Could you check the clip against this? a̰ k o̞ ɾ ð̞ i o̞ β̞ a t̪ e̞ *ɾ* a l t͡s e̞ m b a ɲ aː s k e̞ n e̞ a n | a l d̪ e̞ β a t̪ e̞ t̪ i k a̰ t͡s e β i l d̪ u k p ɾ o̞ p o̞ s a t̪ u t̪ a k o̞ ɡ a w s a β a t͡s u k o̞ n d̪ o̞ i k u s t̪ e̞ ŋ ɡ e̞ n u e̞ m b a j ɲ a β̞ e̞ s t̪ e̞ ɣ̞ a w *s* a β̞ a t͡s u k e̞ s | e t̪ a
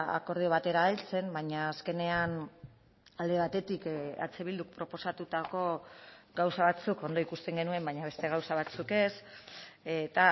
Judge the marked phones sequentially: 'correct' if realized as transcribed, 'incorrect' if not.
correct, correct

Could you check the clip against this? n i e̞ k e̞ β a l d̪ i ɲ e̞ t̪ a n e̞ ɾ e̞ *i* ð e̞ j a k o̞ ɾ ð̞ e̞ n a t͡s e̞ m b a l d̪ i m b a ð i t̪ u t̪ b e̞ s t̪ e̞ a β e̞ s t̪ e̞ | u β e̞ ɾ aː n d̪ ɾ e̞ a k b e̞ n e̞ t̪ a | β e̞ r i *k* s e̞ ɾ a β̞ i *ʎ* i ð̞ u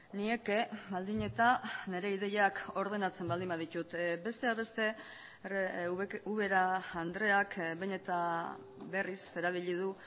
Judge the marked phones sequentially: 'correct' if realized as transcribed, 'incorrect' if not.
correct, incorrect, correct

